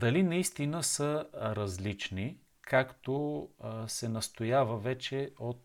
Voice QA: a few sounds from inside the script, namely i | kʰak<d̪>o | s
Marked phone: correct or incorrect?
incorrect